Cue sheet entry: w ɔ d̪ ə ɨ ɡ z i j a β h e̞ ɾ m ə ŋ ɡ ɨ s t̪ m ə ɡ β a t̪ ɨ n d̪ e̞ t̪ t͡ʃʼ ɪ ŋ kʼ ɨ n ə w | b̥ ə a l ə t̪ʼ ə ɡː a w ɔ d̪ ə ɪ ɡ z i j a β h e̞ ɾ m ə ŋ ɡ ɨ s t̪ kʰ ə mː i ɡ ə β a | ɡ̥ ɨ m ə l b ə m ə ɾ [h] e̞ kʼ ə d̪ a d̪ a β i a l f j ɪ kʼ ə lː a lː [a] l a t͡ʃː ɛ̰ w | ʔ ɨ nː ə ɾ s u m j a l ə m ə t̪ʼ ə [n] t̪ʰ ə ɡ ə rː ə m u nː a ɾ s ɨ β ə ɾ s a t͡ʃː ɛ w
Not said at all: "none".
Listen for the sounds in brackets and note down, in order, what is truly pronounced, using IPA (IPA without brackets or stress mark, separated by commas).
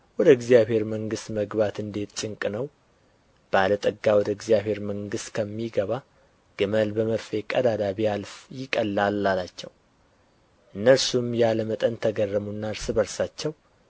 f, a, n